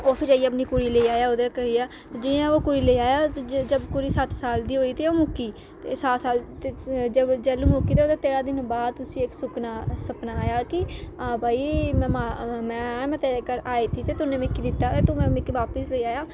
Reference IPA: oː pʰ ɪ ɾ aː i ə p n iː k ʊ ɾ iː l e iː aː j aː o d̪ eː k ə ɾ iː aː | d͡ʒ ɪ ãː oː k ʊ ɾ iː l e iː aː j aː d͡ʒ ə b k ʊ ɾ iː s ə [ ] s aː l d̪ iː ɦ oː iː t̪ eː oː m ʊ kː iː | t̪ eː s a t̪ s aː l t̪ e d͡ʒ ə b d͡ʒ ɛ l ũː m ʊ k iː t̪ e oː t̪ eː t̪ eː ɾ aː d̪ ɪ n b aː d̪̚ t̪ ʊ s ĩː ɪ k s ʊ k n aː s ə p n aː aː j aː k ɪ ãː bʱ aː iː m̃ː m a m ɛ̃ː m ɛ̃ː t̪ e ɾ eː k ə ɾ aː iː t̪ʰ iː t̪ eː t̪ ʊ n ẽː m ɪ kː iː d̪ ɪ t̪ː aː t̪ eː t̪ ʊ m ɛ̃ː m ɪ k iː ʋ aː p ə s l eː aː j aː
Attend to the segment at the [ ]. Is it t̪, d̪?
t̪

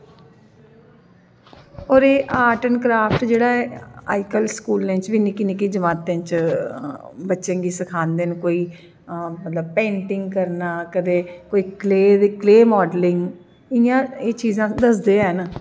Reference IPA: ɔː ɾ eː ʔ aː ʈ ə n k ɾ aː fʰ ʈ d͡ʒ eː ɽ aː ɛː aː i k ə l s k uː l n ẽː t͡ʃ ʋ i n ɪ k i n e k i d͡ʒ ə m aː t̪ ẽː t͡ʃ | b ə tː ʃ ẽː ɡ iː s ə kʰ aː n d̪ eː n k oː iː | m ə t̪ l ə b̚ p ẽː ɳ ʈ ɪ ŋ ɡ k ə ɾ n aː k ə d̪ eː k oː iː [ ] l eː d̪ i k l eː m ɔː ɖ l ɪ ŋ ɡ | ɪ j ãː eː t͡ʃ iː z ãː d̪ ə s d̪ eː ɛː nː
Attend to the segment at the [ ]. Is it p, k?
k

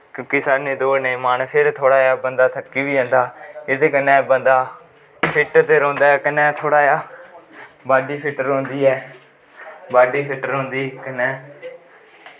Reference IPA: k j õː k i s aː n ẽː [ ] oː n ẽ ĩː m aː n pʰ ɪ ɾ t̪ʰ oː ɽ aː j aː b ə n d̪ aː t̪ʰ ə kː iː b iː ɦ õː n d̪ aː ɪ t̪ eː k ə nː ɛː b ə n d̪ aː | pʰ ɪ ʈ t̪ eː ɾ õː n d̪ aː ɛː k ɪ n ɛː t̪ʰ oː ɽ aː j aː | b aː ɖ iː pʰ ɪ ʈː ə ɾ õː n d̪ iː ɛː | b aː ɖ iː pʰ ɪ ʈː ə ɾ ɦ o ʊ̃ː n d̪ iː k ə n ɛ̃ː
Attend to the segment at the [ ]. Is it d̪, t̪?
d̪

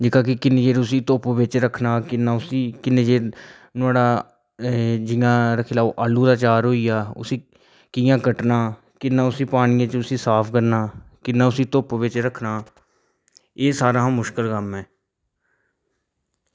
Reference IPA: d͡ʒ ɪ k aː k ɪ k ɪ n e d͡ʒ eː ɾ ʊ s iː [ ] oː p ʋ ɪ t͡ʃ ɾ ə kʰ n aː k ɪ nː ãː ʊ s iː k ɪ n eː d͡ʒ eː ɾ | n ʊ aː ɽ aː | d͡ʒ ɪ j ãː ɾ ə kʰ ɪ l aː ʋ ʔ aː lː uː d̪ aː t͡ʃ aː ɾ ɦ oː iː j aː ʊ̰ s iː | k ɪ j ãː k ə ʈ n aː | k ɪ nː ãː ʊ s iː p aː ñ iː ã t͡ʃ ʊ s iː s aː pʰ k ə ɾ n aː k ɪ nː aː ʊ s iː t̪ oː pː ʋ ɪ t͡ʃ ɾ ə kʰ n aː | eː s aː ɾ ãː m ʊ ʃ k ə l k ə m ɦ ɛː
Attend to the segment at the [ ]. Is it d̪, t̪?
t̪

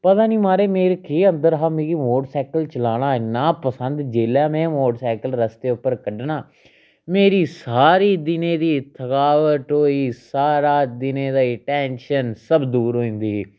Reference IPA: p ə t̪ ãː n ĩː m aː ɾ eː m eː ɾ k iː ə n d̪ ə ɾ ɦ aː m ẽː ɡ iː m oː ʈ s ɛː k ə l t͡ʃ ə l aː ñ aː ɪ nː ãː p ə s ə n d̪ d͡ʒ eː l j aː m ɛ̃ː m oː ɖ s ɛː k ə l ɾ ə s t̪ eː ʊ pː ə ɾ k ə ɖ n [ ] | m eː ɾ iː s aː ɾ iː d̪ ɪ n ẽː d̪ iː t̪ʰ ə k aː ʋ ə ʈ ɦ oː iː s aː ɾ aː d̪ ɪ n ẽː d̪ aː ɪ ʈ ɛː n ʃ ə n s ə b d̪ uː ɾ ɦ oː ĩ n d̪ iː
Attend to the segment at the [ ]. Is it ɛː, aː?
aː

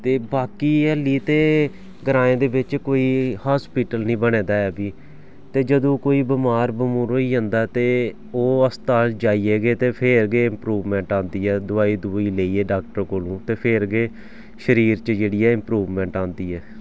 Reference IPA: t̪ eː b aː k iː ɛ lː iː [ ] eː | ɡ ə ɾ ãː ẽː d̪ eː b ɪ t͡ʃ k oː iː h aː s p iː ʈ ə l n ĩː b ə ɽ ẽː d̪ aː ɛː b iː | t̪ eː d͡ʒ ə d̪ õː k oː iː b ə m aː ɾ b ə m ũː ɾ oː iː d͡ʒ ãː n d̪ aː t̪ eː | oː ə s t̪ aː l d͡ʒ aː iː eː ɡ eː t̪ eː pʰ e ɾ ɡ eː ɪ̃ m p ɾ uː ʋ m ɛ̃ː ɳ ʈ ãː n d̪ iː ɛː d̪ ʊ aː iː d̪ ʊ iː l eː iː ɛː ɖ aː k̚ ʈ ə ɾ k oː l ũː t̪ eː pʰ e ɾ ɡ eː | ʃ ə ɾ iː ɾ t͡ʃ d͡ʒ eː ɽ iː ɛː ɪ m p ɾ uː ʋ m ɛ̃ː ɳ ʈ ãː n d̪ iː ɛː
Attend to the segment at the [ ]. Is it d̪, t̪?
t̪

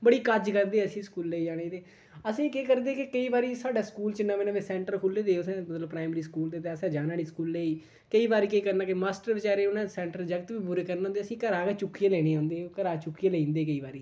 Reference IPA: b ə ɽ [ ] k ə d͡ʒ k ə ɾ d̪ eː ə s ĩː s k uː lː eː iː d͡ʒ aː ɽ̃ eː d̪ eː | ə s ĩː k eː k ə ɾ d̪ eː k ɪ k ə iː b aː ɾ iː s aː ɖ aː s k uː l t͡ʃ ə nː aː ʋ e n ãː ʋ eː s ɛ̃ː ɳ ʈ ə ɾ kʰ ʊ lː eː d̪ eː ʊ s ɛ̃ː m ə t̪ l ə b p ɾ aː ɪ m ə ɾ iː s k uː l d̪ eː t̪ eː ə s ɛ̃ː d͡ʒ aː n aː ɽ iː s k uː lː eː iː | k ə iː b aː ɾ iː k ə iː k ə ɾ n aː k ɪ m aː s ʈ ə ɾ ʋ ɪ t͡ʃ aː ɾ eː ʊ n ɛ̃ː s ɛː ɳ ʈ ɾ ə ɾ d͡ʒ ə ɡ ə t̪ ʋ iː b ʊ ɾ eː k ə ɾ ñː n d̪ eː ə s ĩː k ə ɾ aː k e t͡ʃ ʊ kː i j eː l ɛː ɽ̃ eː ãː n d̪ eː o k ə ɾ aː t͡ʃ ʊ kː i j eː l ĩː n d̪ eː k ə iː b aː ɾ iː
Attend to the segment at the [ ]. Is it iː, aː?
iː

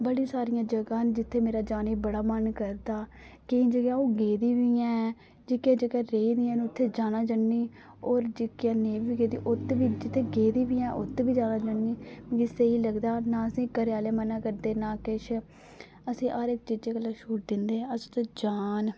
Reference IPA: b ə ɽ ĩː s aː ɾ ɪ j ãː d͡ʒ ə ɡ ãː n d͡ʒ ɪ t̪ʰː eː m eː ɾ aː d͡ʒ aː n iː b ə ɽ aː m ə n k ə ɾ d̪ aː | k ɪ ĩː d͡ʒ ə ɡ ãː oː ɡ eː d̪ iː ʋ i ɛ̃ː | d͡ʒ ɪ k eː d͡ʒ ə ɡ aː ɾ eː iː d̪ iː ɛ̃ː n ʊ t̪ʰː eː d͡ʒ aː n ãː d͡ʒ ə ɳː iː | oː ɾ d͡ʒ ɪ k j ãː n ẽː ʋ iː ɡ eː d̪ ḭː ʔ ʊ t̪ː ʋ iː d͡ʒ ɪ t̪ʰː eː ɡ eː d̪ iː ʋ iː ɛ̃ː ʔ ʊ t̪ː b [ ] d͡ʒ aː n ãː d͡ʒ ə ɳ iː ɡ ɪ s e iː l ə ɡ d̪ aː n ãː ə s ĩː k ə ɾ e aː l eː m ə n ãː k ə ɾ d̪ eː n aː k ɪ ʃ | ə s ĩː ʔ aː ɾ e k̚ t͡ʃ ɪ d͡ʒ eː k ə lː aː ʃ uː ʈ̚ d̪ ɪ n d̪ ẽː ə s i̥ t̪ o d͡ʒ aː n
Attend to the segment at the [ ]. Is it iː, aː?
iː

